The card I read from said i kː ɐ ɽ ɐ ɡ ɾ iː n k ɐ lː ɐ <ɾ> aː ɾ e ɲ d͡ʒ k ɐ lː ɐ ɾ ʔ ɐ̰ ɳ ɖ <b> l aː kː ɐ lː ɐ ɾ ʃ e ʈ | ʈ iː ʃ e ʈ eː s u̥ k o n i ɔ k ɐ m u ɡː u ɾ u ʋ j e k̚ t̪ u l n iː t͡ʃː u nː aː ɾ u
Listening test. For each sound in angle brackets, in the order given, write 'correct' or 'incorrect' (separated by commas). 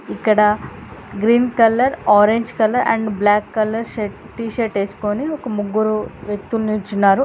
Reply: correct, correct